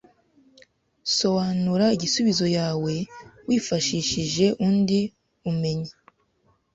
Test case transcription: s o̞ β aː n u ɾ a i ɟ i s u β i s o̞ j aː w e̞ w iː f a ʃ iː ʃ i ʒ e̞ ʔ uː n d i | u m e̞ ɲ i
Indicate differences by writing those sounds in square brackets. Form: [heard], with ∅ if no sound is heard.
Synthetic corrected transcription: s o̞ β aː n u ɾ a i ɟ i s u β i [z] o̞ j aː w e̞ w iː f a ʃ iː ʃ i ʒ e̞ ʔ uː n d i | u m e̞ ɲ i